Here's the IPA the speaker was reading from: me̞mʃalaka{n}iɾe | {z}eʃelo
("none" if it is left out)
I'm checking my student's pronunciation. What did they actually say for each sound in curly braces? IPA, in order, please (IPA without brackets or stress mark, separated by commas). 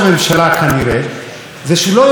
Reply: n, z